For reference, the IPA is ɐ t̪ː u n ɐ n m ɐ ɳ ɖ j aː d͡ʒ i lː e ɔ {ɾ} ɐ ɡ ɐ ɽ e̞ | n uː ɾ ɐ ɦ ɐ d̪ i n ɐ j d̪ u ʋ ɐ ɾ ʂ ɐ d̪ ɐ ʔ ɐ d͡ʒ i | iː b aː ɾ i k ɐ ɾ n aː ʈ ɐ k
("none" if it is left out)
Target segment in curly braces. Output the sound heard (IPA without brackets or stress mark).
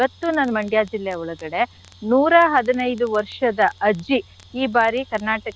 ɭ